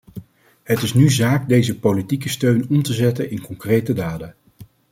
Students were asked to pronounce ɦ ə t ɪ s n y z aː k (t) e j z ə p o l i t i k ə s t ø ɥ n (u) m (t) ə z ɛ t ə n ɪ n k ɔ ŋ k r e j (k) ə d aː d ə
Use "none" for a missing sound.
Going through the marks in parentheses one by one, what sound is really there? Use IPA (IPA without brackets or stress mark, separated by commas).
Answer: d, ɔ, t, t